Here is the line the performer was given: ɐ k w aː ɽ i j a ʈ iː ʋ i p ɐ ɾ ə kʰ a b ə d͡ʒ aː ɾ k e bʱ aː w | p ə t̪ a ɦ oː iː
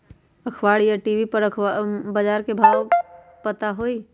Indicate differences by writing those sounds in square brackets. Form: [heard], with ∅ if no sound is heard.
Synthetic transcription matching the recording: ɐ [kʰ] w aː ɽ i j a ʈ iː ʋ i p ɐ ɾ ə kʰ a b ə d͡ʒ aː ɾ k e bʱ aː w | p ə t̪ a ɦ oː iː